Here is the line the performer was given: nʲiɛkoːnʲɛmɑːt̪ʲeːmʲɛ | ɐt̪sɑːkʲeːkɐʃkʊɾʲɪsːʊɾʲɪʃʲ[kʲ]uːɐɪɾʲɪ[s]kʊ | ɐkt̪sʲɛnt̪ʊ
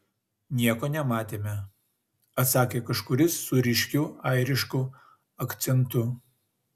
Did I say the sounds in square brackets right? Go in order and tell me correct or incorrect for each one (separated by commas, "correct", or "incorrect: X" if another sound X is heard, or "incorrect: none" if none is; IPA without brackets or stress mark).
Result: correct, incorrect: ʃ